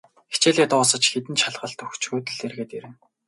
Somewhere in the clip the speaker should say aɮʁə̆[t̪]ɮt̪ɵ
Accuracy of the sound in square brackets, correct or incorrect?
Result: incorrect: none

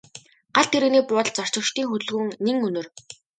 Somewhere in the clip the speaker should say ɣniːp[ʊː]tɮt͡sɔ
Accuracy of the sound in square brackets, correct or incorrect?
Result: correct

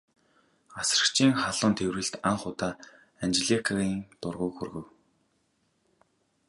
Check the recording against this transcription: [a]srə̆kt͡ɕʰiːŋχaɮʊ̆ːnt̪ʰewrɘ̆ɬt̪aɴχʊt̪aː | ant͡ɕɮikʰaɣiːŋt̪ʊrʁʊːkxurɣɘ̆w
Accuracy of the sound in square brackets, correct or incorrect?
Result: correct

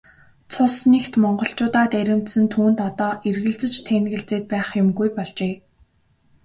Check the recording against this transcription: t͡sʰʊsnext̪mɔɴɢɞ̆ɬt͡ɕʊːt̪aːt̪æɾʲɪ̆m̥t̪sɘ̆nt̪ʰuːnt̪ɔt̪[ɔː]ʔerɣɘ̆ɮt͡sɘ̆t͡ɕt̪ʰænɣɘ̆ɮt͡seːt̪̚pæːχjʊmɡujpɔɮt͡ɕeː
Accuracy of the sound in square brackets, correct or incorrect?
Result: correct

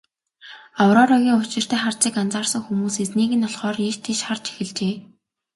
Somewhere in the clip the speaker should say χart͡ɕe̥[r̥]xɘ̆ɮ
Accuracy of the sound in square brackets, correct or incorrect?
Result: incorrect: none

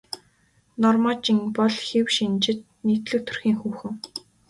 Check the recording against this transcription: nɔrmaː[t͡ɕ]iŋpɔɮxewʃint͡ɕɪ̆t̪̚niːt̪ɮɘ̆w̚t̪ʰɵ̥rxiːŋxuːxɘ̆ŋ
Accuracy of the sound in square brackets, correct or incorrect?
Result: correct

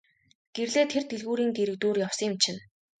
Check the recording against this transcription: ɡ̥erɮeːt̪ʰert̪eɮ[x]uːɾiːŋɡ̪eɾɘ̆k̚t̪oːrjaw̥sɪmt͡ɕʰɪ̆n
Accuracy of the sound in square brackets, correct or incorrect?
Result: incorrect: ɣ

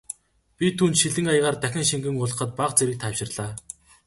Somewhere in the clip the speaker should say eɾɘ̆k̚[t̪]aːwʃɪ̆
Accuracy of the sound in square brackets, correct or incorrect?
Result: incorrect: t̪ʰ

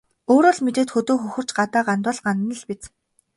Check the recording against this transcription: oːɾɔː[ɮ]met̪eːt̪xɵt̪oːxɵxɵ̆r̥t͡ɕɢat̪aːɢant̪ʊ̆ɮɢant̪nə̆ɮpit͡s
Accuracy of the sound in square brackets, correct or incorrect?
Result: correct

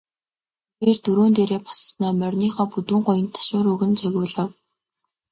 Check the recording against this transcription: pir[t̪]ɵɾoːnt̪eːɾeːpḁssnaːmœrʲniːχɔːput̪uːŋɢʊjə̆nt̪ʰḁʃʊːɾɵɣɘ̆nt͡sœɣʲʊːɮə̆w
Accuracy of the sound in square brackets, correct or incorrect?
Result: correct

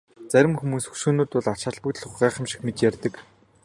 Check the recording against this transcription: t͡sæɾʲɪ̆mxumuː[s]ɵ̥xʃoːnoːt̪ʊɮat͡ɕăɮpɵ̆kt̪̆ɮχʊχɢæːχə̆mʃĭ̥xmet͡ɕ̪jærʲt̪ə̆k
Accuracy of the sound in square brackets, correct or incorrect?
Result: correct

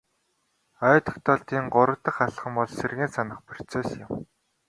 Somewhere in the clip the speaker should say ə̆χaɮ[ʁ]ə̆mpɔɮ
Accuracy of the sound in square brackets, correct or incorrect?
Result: incorrect: χ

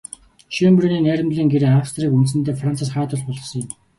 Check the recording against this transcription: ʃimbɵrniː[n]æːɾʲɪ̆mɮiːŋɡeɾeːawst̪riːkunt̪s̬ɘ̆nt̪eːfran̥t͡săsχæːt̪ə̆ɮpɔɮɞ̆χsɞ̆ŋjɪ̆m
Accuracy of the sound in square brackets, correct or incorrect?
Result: correct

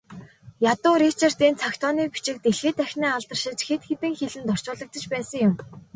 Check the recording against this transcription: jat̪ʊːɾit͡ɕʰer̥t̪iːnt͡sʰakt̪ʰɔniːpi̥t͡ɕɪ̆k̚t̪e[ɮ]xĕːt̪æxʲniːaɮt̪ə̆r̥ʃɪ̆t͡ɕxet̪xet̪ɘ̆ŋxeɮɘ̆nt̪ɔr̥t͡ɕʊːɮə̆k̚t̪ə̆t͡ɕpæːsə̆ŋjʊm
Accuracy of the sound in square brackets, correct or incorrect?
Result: correct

